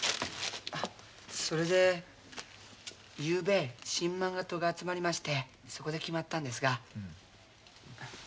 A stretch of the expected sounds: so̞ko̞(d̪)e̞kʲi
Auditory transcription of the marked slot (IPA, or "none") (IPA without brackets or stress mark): d̪